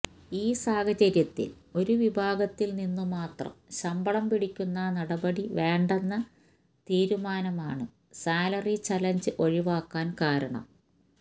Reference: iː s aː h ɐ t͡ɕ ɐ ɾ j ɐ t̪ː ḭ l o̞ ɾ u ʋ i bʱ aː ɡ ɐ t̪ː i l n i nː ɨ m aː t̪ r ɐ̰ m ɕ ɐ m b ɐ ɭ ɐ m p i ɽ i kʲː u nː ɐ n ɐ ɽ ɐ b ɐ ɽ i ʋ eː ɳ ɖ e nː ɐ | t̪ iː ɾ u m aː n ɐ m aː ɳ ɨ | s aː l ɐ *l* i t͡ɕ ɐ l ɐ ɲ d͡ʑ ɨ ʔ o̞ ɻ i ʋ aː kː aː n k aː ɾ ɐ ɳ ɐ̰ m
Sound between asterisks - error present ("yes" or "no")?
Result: yes